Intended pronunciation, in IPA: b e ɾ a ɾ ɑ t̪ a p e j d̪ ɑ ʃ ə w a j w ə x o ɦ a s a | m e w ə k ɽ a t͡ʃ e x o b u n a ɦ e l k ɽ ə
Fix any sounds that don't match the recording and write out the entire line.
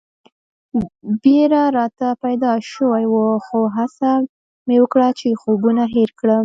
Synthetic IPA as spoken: b e ɾ a ɾ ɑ t̪ a p a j d̪ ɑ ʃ ə w a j w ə x o ɦ a s a | m e w ə k ɽ a t͡ʃ e x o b u n a ɦ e ɾ k ɽ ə

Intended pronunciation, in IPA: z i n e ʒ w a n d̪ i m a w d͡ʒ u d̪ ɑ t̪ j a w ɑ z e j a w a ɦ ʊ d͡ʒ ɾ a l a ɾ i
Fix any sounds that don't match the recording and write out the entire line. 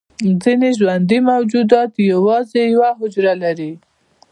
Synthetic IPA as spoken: z i n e ʒ w a n d̪ i m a w d͡ʒ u d̪ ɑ t̪ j a w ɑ z e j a w a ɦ ʊ d͡ʒ ɾ a l a ɾ i

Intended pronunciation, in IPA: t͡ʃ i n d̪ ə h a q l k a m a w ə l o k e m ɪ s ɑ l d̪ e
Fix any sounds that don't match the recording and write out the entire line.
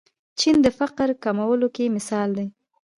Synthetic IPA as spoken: t͡ʃ i n d̪ ə f a q ɾ k a m a w ə l o k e m ɪ s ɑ l d̪ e

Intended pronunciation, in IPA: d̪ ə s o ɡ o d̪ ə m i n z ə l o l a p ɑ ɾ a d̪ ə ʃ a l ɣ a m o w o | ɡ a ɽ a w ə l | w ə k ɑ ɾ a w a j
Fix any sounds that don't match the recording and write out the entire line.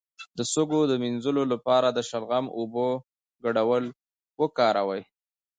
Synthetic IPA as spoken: d̪ ə s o ɡ o d̪ ə m i n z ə l o l a p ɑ ɾ a d̪ ə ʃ a l ɣ a m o b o | ɡ a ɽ a w ə l | w ə k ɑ ɾ a w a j

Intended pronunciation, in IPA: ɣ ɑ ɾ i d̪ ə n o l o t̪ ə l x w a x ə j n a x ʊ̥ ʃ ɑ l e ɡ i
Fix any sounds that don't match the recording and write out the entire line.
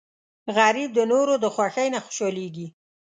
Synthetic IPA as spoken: ɣ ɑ ɾ i d̪ ə n o ɾ o d̪ ə x w a x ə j n a x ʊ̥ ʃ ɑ l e ɡ i

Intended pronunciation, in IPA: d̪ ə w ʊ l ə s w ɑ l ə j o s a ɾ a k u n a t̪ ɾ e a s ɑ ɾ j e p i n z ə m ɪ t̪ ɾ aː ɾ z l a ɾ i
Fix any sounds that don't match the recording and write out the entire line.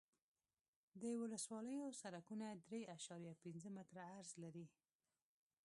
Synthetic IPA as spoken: d̪ ə w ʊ l ə s w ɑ l ə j o s a ɾ a k u n a d̪ ɾ e a ʃ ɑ ɾ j a p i n z ə m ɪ t̪ ɾ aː ɾ z l a ɾ i

